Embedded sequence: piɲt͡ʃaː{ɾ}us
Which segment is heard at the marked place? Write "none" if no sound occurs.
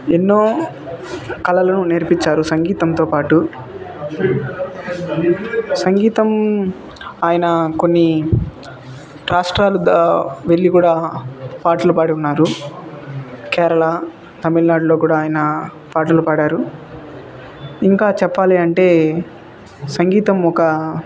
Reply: ɾ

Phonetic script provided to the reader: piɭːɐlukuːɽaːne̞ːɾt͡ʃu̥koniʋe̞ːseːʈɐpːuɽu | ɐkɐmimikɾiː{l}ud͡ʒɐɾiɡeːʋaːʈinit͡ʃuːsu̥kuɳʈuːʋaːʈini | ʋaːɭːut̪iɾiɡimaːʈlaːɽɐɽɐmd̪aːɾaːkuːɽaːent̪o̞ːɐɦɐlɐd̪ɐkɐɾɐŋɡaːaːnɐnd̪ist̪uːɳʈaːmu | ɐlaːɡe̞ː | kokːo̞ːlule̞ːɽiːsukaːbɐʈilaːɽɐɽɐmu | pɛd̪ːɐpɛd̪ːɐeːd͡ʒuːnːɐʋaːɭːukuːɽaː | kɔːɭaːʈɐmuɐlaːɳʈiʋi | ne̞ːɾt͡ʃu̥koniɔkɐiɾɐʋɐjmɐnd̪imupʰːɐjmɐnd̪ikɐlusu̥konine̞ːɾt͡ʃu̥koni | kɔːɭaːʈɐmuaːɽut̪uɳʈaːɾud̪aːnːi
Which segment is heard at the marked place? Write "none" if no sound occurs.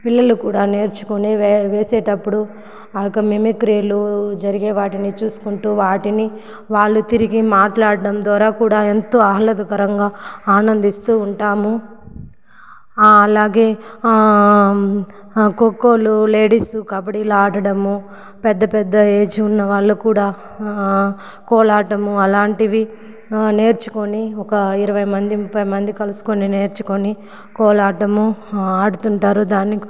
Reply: l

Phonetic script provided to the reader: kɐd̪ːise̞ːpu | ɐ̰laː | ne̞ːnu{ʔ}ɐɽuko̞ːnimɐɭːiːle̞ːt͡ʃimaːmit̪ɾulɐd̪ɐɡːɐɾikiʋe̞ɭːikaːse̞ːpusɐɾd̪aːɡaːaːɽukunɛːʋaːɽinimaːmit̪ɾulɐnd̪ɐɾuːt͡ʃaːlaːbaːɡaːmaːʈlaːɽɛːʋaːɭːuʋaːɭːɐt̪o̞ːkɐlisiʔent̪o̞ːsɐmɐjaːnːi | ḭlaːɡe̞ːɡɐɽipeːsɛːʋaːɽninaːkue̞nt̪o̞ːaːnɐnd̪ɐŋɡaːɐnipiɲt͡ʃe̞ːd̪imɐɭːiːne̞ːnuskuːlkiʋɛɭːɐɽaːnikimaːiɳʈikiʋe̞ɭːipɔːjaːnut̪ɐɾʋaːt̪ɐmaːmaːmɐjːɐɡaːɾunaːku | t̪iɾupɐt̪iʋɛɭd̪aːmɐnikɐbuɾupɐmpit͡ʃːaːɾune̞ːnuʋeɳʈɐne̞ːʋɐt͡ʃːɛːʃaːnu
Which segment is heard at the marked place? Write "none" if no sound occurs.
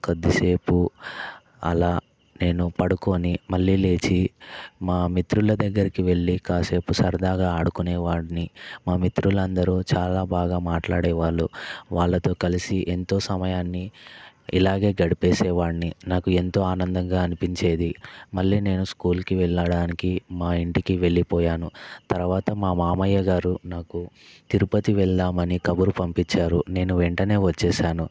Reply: p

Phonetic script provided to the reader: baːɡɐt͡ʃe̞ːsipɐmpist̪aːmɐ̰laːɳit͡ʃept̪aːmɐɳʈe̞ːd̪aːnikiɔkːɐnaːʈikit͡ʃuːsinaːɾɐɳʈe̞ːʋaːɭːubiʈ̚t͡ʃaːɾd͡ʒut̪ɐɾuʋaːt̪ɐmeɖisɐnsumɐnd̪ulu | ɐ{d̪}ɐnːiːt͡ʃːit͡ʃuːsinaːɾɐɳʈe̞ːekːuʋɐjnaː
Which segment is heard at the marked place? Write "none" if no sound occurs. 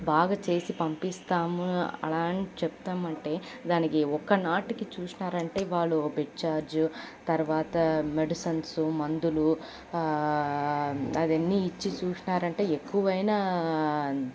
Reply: d̪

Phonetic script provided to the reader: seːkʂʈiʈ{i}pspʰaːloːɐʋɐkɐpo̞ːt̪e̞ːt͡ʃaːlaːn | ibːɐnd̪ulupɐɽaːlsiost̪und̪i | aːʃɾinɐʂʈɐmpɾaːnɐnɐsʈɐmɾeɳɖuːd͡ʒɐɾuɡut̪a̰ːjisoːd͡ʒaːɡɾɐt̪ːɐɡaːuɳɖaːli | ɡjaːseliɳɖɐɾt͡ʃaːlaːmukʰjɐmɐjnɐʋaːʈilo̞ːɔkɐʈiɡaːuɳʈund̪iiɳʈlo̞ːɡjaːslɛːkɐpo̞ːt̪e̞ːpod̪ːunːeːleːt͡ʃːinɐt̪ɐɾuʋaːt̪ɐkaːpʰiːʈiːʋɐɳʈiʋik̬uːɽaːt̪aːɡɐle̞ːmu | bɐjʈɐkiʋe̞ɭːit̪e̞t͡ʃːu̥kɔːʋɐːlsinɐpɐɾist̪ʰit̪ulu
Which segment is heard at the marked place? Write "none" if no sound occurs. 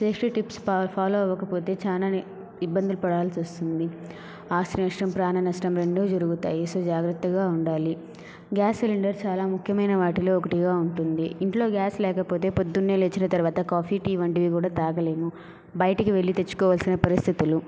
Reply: i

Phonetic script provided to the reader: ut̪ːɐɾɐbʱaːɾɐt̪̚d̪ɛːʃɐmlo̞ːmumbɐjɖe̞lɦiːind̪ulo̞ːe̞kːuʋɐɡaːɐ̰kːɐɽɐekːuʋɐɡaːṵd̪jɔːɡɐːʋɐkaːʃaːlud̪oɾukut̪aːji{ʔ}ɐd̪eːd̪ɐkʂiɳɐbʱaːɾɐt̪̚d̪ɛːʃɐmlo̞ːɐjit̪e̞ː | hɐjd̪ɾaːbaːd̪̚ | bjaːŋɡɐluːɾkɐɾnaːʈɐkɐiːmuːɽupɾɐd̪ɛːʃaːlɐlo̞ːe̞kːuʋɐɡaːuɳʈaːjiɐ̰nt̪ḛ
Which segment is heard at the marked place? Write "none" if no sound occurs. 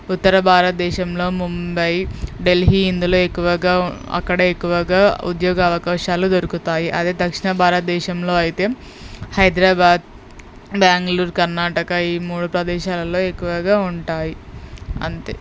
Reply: ʔ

